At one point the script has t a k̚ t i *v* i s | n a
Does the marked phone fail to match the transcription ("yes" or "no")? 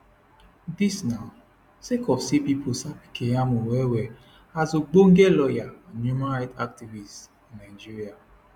no